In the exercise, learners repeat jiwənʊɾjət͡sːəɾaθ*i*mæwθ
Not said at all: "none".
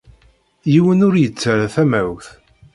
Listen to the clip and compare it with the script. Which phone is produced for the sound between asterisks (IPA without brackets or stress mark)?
æ